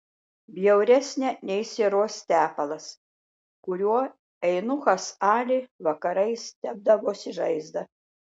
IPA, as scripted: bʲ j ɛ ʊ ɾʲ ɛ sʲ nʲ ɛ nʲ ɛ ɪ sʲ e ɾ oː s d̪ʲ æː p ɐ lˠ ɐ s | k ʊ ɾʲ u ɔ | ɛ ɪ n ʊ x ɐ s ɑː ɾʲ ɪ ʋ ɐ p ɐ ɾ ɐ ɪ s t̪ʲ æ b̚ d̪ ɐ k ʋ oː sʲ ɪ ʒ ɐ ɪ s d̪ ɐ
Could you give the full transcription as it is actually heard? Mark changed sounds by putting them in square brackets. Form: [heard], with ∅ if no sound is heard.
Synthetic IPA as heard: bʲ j ɛ ʊ ɾʲ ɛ sʲ nʲ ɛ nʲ ɛ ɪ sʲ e ɾ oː s [t̪ʲ] æː p ɐ lˠ ɐ s | k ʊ ɾʲ u ɔ | ɛ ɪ n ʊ x ɐ s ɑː [lʲ] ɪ ʋ ɐ [k] ɐ ɾ ɐ ɪ s t̪ʲ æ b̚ d̪ ɐ [∅] ʋ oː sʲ ɪ ʒ ɐ ɪ [z] d̪ ɐ